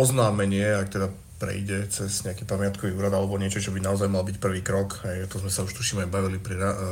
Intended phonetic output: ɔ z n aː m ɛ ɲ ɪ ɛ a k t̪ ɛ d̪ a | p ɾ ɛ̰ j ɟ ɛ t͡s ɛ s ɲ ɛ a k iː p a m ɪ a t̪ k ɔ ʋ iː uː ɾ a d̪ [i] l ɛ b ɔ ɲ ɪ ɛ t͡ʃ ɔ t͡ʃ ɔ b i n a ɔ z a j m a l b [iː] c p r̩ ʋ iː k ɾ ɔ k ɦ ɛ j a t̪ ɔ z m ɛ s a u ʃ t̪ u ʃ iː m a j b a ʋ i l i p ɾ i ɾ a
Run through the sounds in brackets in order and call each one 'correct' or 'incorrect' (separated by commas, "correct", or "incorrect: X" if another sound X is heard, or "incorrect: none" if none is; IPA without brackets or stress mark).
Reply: incorrect: a, incorrect: i